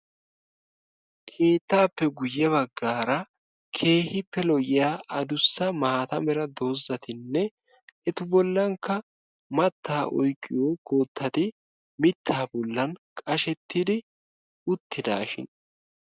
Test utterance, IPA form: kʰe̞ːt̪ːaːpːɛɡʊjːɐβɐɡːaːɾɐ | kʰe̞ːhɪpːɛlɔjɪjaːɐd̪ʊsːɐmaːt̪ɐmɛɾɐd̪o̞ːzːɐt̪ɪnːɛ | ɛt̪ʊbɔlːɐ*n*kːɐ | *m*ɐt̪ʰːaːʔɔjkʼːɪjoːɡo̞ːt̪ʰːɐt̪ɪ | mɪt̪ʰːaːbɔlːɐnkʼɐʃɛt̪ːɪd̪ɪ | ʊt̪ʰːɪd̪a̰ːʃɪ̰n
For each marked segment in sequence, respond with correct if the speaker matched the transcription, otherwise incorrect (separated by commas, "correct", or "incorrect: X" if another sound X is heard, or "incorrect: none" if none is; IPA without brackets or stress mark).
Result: incorrect: ŋ, correct